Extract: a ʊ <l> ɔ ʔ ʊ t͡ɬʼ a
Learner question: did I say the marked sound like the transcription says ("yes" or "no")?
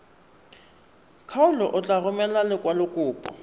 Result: yes